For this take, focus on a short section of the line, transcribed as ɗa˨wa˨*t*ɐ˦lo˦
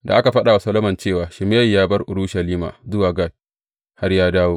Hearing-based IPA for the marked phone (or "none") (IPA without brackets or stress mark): s